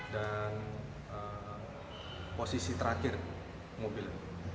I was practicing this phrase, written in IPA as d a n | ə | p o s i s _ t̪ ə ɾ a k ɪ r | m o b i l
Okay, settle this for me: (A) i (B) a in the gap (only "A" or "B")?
A